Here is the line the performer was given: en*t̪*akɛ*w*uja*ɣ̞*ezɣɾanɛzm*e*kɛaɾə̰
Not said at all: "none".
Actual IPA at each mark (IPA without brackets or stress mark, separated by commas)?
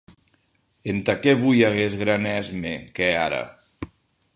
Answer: t̪, β, ɣ̞, e